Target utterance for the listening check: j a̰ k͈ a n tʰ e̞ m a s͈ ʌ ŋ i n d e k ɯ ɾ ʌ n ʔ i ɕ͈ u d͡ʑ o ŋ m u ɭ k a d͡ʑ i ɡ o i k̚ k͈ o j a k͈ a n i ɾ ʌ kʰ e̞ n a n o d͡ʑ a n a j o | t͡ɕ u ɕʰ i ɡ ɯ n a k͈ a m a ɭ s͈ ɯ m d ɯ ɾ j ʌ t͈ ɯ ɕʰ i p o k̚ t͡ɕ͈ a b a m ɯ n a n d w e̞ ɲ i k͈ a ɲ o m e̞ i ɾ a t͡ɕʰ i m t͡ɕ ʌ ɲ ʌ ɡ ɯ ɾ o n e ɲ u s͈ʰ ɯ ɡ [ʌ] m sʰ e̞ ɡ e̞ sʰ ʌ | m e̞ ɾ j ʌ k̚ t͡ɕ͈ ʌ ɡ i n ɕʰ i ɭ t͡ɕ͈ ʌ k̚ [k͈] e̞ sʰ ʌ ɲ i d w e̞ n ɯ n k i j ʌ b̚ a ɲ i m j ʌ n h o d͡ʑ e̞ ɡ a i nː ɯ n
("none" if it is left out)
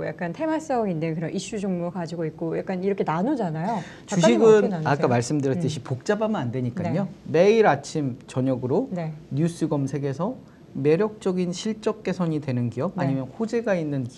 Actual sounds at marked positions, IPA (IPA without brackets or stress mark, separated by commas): ʌ, k͈